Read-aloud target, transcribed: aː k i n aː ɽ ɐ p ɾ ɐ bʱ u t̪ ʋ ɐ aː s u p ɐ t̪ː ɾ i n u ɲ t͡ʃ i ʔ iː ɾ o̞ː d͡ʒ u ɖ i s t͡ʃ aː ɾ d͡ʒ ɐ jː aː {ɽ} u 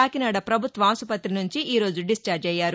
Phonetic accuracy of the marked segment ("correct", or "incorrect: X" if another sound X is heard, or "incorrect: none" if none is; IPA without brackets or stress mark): incorrect: ɾ